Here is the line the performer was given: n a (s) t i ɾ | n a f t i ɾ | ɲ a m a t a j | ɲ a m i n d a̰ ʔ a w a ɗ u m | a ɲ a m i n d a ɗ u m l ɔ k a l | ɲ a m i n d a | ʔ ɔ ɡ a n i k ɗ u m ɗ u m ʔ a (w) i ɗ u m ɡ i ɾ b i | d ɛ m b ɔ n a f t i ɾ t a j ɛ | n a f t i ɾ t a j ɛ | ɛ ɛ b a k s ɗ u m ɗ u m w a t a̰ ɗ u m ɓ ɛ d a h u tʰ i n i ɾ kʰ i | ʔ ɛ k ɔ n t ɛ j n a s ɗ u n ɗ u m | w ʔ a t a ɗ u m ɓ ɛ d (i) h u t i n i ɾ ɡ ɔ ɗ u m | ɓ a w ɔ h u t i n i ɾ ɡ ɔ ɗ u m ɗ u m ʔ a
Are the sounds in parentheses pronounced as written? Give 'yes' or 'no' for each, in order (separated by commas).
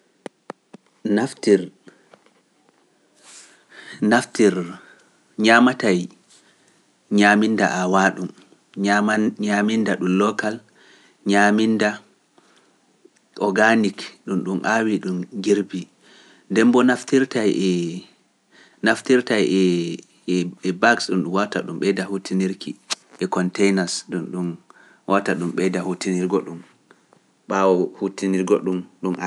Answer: no, yes, no